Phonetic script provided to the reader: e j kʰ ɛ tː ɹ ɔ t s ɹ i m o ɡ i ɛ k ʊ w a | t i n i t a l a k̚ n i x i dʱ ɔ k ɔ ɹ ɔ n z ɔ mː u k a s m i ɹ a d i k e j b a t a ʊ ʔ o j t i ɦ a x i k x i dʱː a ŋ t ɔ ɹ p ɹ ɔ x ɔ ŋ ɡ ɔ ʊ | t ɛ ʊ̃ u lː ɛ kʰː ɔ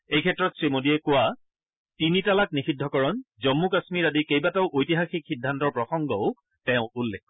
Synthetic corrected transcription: e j kʰ ɛ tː ɹ ɔ t s ɹ i m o d i ɛ k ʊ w a | t i n i t a l a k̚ n i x i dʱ ɔ k ɔ ɹ ɔ n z ɔ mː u k a s m i ɹ a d i k e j b a t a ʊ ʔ o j t i ɦ a x i k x i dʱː a n t ɔ ɹ p ɹ ɔ x ɔ ŋ ɡ ɔ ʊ | t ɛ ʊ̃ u lː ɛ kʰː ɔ